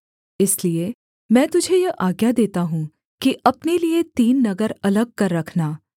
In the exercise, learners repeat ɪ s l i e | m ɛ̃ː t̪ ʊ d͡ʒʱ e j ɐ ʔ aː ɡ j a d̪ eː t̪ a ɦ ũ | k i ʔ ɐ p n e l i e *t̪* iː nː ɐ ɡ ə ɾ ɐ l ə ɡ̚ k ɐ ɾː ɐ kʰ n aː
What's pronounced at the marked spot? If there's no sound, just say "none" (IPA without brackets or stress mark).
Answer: t̪